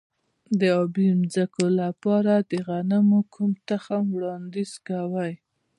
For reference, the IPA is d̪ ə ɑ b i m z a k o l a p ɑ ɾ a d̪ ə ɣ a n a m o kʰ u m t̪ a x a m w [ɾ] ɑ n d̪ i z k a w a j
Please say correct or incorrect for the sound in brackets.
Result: incorrect